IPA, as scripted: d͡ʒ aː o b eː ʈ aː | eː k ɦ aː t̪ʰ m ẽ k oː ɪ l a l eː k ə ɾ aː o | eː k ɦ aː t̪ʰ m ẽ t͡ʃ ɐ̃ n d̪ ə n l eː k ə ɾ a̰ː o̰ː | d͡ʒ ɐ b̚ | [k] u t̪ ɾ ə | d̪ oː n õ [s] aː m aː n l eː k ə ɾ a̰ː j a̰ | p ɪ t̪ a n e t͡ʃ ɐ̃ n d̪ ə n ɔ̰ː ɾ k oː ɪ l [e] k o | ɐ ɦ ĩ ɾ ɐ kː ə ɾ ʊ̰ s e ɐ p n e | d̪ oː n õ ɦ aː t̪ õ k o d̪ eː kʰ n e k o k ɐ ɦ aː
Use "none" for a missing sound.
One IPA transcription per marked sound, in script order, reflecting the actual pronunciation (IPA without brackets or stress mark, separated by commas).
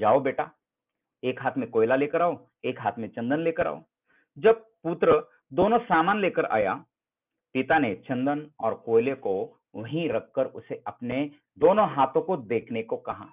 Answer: p, s, e